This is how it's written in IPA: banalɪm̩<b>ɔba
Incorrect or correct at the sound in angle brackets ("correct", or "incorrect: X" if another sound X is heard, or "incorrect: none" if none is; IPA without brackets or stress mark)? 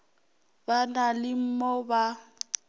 incorrect: m